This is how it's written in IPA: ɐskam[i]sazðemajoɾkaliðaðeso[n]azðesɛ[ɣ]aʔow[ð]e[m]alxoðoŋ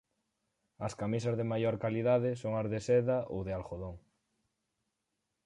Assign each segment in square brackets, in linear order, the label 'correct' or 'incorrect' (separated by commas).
correct, incorrect, incorrect, correct, incorrect